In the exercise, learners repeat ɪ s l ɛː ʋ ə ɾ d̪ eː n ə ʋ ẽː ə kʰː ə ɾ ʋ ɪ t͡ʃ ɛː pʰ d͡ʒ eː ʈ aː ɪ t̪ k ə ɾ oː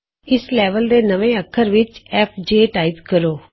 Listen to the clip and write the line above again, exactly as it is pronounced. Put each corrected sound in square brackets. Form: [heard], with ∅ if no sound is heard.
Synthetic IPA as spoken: ɪ s l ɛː ʋ ə [l] d̪ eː n ə ʋ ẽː ə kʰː ə ɾ ʋ ɪ t͡ʃ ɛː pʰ d͡ʒ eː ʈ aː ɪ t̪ k ə ɾ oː